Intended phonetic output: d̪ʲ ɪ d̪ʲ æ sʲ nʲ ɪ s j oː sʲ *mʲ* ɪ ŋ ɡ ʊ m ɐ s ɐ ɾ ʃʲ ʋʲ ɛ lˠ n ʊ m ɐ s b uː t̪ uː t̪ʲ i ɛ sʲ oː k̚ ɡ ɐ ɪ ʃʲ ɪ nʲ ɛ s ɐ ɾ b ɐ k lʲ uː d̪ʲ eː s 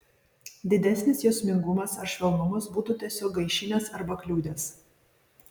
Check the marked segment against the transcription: correct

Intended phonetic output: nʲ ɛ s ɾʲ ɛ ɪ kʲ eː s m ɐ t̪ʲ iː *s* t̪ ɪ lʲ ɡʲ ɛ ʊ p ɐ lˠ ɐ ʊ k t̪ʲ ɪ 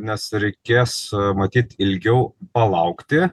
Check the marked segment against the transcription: incorrect: none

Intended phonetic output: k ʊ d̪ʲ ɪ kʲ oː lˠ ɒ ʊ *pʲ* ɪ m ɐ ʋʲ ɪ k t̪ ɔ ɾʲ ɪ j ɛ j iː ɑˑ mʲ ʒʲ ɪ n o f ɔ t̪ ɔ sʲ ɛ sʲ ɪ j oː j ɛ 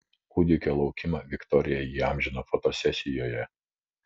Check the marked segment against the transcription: incorrect: kʲ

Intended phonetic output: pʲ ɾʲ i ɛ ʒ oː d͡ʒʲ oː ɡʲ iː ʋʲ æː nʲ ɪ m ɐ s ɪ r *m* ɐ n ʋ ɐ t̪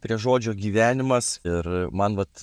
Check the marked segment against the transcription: correct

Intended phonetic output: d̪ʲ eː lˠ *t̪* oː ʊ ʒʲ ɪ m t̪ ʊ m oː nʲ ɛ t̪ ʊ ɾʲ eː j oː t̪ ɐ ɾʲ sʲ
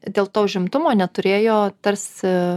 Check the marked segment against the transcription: correct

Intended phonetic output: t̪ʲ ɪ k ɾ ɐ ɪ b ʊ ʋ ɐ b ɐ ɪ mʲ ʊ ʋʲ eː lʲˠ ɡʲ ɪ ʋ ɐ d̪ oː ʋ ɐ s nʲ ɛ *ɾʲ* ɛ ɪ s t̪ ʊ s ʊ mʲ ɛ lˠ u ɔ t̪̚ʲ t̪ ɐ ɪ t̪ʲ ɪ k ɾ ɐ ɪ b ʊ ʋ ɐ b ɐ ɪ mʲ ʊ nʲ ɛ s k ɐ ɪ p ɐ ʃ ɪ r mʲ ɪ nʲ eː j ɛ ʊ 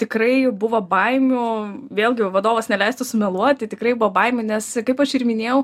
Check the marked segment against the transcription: incorrect: lʲ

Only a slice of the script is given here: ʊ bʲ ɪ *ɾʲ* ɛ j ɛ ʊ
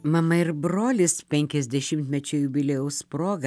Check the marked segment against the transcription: incorrect: lʲ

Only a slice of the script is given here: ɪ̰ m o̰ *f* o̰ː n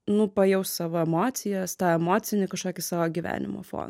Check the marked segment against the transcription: correct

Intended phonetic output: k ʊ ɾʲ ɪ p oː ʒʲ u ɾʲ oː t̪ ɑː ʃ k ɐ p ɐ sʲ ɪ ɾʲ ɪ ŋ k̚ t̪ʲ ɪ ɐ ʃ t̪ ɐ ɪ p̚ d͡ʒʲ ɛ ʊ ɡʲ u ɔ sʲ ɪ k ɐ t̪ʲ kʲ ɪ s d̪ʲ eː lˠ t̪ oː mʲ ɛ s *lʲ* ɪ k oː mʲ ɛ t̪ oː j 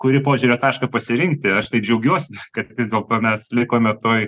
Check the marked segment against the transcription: correct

